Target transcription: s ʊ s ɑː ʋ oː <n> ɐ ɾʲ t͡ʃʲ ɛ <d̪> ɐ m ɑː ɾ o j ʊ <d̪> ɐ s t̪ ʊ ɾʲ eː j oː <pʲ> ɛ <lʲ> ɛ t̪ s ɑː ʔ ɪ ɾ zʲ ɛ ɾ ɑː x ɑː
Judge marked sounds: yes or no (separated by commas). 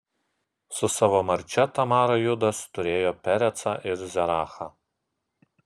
no, no, yes, yes, no